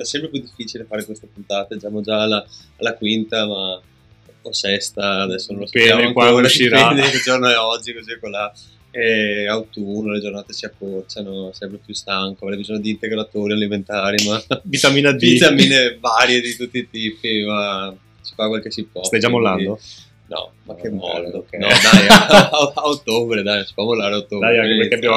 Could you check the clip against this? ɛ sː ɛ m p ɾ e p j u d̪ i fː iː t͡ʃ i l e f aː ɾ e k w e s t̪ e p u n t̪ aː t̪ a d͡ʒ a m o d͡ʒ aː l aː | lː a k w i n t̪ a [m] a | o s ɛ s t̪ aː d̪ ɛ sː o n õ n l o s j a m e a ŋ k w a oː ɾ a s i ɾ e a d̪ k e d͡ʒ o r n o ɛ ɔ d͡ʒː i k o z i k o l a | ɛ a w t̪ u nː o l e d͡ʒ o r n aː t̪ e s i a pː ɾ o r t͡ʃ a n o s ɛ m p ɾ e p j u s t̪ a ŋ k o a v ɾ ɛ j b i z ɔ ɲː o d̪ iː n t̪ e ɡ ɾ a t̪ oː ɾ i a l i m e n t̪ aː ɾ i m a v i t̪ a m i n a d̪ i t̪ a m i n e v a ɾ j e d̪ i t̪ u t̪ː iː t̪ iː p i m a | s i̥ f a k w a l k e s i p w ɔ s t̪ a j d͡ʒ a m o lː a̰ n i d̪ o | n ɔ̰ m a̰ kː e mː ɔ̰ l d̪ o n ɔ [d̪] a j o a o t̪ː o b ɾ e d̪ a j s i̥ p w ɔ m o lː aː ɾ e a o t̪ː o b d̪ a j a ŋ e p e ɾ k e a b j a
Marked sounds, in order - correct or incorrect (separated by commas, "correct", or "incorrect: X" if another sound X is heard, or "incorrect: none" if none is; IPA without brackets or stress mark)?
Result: correct, correct